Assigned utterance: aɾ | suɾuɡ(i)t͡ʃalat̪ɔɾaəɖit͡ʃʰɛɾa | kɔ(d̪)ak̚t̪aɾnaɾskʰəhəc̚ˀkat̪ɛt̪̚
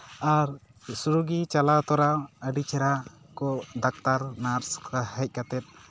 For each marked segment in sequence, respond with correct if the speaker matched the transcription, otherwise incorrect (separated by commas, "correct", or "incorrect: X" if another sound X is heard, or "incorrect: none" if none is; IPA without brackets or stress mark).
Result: correct, correct